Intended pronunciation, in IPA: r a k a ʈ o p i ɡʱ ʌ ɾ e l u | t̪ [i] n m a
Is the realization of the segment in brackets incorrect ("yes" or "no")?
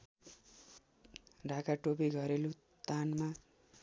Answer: yes